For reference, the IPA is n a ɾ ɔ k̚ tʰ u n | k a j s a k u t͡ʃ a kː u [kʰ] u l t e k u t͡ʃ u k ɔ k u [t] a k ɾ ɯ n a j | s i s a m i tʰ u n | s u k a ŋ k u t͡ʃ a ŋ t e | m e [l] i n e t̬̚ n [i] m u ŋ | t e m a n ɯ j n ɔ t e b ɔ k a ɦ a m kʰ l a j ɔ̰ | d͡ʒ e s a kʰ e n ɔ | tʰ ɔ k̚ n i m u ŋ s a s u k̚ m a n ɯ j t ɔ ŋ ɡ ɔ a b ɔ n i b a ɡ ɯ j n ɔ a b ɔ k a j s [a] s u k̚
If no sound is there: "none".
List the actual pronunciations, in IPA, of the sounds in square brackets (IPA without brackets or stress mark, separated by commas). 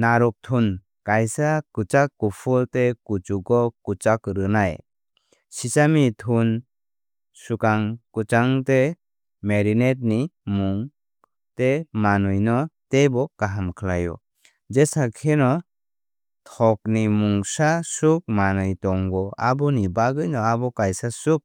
pʰ, t͡ʃ, ɾ, i, a